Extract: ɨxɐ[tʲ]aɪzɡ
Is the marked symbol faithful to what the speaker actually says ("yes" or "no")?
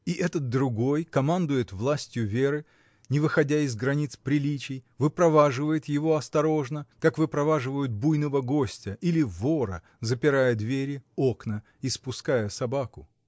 no